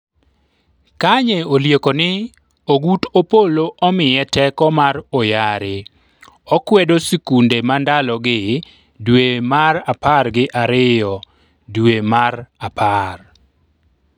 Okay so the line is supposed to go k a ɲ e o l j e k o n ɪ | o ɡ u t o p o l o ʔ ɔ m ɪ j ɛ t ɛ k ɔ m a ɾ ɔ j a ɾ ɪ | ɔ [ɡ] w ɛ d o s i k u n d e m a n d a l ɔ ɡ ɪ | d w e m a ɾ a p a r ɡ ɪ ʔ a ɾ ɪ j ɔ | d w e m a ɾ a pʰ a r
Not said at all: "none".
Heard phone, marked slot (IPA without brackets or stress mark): k